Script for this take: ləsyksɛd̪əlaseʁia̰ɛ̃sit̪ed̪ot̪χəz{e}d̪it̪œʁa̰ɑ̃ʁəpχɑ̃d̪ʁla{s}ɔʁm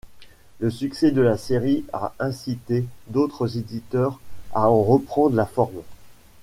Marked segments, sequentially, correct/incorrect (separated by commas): correct, incorrect